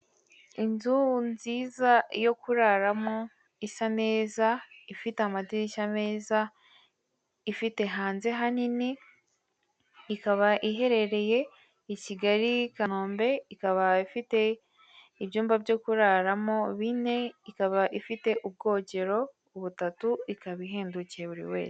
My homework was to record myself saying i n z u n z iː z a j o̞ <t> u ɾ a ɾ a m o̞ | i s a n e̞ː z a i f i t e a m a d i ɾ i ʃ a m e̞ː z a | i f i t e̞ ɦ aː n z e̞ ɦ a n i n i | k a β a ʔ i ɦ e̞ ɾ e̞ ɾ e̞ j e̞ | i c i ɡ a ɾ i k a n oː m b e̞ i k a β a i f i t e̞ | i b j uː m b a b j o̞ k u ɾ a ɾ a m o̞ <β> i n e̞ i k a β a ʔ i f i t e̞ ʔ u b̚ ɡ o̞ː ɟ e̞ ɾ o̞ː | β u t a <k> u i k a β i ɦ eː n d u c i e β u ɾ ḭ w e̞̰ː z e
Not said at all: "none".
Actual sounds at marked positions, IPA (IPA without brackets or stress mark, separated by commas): k, β, t